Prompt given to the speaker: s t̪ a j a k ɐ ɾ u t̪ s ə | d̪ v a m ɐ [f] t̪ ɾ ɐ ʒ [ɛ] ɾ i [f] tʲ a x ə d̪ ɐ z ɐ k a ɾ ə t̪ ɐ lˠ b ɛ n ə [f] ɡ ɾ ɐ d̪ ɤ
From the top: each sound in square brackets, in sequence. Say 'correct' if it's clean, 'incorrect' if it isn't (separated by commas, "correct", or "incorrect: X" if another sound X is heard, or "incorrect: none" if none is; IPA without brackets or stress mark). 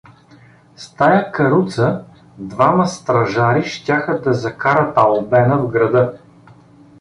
incorrect: s, incorrect: a, incorrect: ʃ, incorrect: v